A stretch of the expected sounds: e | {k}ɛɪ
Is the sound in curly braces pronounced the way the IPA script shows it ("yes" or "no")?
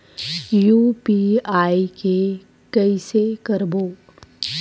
yes